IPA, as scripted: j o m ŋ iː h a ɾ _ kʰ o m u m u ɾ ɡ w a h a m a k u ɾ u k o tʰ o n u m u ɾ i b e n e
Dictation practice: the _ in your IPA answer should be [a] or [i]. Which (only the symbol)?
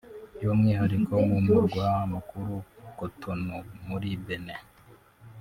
i